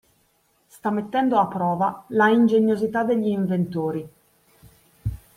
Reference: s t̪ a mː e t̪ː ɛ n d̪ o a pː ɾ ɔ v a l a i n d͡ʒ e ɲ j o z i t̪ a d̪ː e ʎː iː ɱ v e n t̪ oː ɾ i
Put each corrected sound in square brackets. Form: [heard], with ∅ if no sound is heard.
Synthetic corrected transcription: s t̪ a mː e t̪ː ɛ n d̪ o a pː ɾ [ɔː] v a l a i n d͡ʒ e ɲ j o z i t̪ a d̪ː e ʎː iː ɱ v e n t̪ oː ɾ i